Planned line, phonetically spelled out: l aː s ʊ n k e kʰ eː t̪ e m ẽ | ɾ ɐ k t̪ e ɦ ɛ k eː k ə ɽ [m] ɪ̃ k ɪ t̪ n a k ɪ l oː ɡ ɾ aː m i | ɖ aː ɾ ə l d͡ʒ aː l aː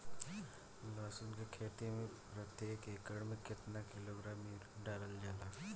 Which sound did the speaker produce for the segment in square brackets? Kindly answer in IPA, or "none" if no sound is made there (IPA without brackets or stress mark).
m